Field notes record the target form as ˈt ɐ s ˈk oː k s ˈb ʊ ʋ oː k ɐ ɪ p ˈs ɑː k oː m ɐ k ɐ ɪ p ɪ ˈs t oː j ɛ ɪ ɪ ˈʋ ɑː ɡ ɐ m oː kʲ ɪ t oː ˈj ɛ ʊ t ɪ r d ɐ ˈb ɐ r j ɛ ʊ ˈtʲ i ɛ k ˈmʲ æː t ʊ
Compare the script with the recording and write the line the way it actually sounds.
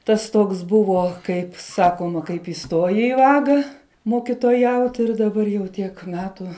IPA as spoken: ˈt ɐ s ˈt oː k s ˈb ʊ ʋ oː k ɐ ɪ p ˈs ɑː k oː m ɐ k ɐ ɪ p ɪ ˈs t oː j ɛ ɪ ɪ ˈʋ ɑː ɡ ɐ m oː kʲ ɪ t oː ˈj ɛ ʊ t ɪ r d ɐ ˈb ɐ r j ɛ ʊ ˈtʲ i ɛ k ˈmʲ æː t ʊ

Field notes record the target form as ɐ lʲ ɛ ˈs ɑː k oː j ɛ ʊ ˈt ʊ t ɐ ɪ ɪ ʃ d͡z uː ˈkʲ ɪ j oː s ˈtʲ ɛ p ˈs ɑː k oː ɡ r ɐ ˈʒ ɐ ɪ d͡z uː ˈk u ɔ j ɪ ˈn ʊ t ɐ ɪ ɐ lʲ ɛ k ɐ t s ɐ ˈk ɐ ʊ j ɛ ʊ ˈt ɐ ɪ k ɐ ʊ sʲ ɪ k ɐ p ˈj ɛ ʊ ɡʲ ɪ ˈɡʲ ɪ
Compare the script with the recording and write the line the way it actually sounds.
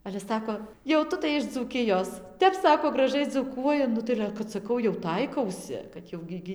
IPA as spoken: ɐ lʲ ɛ ˈs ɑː k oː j ɛ ʊ ˈt ʊ t ɐ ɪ ɪ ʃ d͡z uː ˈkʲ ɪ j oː s ˈtʲ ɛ p ˈs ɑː k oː ɡ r ɐ ˈʒ ɐ ɪ d͡z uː ˈk u ɔ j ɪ ˈn ʊ t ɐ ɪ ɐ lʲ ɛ k ɐ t s ɐ ˈk ɐ ʊ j ɛ ʊ ˈt ɐ ɪ k ɐ ʊ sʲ ɪ k ɐ t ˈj ɛ ʊ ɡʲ ɪ ˈɡʲ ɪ

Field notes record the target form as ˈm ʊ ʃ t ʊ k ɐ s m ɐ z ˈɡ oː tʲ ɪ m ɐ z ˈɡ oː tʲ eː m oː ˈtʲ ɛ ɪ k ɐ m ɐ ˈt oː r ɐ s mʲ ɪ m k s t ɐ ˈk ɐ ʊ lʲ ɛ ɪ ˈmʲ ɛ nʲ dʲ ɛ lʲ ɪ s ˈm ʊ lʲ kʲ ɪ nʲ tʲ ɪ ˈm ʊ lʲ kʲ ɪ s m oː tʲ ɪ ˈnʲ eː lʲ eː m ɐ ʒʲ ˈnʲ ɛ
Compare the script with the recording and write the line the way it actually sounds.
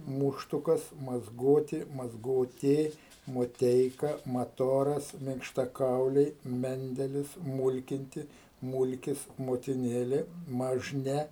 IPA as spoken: ˈm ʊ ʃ t ʊ k ɐ s m ɐ z ˈɡ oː tʲ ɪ m ɐ z ˈɡ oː tʲ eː m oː ˈtʲ ɛ ɪ k ɐ m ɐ ˈt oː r ɐ s mʲ ɪ ŋ k ʃ t ɐ ˈk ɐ ʊ lʲ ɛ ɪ ˈmʲ ɛ nʲ dʲ ɛ lʲ ɪ s ˈm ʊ lʲ kʲ ɪ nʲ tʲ ɪ ˈm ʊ lʲ kʲ ɪ s m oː tʲ ɪ ˈnʲ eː lʲ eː m ɐ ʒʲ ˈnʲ ɛ

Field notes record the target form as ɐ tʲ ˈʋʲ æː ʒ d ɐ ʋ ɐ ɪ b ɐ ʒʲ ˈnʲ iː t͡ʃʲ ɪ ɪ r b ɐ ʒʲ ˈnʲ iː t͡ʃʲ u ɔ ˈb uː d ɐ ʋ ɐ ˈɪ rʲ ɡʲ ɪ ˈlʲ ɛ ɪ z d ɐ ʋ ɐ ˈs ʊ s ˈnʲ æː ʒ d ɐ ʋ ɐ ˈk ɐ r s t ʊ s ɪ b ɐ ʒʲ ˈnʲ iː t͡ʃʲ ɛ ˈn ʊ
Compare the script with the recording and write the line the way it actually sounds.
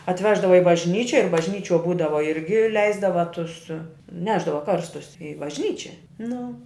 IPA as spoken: ɐ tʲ ˈʋʲ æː ʒ d ɐ ʋ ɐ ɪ b ɐ ʒʲ ˈnʲ iː t͡ʃʲ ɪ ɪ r b ɐ ʒʲ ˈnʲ iː t͡ʃʲ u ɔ ˈb uː d ɐ ʋ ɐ ˈɪ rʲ ɡʲ ɪ ˈlʲ ɛ ɪ z d ɐ ʋ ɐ ˈt ʊ s ˈnʲ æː ʒ d ɐ ʋ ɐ ˈk ɐ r s t ʊ s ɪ b ɐ ʒʲ ˈnʲ iː t͡ʃʲ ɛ ˈn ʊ

